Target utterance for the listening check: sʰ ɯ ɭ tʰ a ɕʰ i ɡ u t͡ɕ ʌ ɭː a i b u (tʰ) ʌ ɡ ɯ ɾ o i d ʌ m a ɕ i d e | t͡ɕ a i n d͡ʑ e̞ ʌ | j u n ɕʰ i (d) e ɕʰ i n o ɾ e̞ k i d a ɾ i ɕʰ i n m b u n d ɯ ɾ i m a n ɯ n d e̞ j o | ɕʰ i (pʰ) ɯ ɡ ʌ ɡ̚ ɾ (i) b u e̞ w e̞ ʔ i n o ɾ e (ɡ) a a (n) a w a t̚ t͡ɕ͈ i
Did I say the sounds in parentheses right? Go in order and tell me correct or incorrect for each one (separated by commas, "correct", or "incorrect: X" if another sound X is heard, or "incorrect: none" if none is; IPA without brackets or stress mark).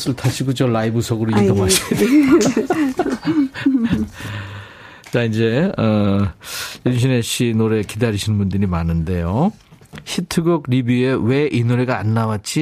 incorrect: sʰ, incorrect: n, incorrect: tʰ, correct, correct, incorrect: nː